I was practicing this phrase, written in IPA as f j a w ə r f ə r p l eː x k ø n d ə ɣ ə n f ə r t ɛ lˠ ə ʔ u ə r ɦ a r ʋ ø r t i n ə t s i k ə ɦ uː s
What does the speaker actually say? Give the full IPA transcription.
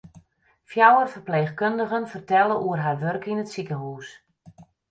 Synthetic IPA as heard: f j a w ə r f ə r p l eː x k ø n d ə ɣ ə n f ə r t ɛ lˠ ə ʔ u ə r ɦ a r ʋ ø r k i n ə t s i k ə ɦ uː s